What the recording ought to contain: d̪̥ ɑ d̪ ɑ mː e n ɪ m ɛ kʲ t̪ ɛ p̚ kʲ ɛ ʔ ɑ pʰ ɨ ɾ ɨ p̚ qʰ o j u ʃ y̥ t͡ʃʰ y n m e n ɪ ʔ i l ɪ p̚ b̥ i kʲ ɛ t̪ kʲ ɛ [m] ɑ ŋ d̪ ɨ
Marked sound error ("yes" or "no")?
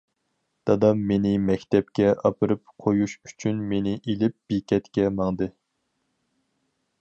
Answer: no